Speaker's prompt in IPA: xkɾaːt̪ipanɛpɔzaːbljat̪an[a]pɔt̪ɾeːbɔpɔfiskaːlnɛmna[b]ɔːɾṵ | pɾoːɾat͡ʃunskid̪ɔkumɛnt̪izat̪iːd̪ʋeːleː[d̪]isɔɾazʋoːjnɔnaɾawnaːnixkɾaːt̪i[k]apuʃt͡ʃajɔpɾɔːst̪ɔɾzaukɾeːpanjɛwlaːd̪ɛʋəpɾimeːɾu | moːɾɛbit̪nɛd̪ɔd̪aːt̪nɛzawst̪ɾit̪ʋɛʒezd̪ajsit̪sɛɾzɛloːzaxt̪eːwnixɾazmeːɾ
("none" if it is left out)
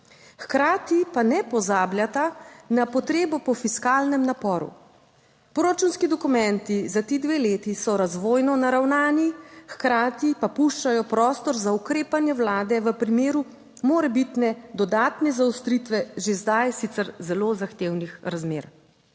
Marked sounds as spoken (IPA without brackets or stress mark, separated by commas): a, p, t̪, p